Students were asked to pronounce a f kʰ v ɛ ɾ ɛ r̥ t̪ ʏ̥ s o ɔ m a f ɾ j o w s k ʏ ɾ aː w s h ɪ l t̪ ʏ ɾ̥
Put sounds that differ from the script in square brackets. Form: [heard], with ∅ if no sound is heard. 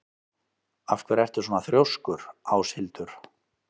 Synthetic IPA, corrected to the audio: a f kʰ v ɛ ɾ ɛ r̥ t̪ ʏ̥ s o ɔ [n] a [θ] ɾ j o w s k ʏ ɾ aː w s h ɪ l t̪ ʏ ɾ̥